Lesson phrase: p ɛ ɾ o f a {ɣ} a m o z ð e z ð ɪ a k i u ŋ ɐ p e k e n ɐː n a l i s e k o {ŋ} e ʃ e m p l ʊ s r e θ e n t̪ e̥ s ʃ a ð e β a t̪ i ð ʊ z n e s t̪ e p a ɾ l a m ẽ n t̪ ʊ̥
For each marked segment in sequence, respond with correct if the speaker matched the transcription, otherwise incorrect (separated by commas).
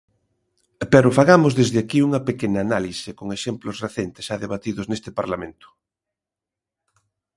correct, correct